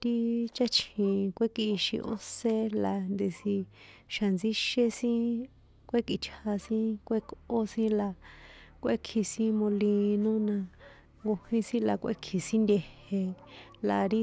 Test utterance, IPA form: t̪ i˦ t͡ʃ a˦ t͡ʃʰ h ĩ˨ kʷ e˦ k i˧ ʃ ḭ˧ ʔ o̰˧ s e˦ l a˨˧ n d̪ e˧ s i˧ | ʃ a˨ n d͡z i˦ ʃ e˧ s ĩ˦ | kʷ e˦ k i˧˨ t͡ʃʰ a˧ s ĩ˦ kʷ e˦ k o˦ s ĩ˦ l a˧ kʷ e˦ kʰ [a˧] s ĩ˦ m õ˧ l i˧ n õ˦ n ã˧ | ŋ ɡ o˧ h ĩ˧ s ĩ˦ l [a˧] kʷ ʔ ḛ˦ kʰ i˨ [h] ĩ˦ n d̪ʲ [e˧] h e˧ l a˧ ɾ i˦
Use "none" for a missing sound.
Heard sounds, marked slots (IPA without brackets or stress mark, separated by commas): i˧, a˧, s, e˧